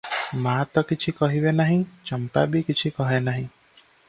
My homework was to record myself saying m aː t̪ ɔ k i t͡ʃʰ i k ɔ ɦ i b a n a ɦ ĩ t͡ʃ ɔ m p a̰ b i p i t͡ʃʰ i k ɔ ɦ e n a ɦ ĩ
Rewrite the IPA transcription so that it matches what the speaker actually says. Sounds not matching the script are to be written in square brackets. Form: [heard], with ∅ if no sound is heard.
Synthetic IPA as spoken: m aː t̪ ɔ k i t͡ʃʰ i k ɔ ɦ i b [e] n a ɦ ĩ t͡ʃ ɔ m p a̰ b i [k] i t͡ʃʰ i k ɔ ɦ e n a ɦ ĩ